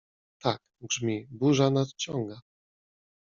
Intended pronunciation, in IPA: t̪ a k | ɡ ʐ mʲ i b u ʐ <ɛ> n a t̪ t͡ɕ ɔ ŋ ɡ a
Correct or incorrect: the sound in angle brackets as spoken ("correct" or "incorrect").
incorrect